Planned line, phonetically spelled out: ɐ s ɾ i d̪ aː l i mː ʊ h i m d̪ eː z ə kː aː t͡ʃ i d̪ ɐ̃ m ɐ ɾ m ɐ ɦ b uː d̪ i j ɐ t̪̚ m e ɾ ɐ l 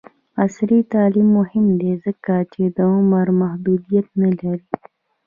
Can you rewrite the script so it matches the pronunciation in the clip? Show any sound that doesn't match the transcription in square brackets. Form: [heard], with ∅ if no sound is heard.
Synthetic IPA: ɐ s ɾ i [t̪] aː l i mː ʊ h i m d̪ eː z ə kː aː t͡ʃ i d̪ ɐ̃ m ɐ ɾ m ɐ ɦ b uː d̪ i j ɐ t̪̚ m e [l] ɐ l